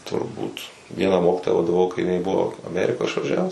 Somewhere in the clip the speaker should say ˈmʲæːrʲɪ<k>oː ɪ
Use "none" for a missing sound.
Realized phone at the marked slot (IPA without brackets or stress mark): k